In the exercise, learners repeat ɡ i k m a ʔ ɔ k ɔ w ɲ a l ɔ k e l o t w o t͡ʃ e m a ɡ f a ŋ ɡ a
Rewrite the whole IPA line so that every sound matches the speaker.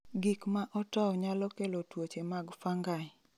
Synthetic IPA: ɡ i k m a ʔ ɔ t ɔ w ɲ a l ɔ k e l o t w o t͡ʃ e m a ɡ f a ŋ ɡ a